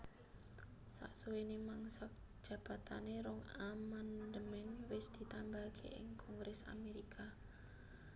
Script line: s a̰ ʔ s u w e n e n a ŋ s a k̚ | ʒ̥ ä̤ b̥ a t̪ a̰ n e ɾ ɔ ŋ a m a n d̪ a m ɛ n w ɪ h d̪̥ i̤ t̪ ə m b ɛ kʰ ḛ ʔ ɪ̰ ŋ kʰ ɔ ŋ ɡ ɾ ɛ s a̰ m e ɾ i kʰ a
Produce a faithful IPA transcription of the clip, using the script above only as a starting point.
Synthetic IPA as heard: s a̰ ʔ s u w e n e m a ŋ s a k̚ | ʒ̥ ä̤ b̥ a t̪ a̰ n e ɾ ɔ ŋ a m a n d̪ ə m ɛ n w ɪ s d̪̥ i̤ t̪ a m b a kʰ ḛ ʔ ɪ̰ ŋ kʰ ɔ ŋ ɡ ɾ ɛ s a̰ m e ɾ i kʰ a